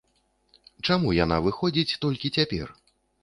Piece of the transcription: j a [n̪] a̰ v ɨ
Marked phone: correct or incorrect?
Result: correct